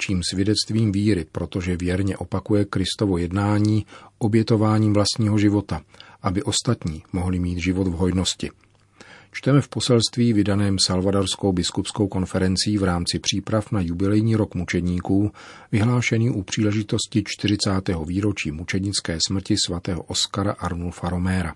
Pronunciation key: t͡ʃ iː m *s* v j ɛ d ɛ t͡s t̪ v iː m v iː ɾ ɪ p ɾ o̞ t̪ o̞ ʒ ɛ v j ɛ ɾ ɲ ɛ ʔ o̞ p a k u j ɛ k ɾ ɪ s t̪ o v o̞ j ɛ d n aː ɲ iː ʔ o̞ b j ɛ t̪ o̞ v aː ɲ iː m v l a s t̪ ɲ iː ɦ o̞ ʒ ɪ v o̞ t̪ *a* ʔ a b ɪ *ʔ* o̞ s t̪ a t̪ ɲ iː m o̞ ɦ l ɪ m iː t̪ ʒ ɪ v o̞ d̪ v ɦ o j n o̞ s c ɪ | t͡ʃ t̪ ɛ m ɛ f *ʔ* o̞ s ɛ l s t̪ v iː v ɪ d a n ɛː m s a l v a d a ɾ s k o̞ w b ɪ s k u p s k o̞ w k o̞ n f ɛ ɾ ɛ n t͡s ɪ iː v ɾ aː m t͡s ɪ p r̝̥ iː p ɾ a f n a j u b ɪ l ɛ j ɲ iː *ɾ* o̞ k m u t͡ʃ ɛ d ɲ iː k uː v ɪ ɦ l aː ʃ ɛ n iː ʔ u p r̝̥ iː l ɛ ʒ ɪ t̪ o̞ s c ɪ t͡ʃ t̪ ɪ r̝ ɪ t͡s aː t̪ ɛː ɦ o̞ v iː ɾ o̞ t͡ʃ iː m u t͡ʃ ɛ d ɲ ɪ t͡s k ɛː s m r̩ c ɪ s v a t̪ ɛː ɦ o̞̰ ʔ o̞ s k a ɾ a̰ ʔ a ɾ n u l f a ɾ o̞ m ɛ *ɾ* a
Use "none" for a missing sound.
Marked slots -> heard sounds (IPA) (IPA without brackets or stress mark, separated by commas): s, a, ʔ, p, ɾ, ɾ